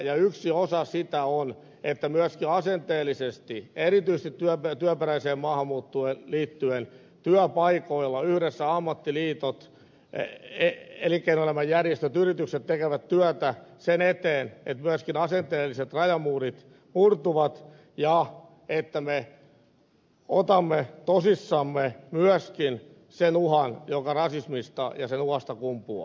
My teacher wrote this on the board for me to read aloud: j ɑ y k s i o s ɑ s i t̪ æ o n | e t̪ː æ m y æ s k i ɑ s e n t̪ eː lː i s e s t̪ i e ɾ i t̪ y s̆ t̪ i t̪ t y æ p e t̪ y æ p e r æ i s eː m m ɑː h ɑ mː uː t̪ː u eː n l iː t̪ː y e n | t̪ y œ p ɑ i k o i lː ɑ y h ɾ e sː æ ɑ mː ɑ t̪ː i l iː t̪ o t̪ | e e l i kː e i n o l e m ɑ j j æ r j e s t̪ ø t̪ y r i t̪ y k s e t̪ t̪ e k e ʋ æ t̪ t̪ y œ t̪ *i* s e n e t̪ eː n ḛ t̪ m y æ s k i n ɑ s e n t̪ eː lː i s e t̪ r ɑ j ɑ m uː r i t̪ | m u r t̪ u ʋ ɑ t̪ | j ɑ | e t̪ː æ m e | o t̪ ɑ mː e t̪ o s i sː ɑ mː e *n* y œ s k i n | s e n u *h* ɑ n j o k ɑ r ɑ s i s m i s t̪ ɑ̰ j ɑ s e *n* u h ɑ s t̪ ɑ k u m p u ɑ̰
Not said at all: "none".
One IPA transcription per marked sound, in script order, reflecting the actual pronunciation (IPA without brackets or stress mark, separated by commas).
æ, m, h, n